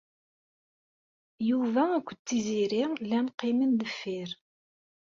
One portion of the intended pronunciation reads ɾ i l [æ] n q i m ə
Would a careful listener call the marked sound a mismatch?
no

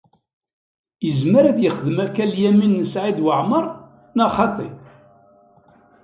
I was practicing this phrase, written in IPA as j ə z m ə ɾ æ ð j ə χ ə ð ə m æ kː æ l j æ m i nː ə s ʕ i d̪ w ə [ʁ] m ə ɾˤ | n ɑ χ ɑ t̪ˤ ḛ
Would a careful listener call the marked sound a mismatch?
yes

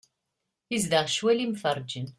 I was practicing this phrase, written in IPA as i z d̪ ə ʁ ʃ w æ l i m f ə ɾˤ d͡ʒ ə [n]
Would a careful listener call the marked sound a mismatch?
no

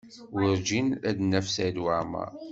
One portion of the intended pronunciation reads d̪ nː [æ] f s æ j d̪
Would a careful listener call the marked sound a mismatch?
no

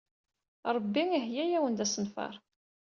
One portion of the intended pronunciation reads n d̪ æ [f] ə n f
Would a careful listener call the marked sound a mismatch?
yes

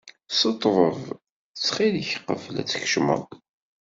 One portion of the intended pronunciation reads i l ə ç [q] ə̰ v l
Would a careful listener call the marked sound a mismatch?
no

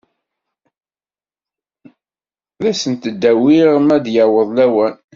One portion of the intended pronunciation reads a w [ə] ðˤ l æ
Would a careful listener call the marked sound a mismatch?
no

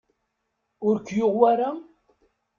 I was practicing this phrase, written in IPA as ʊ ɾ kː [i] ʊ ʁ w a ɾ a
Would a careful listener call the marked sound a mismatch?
yes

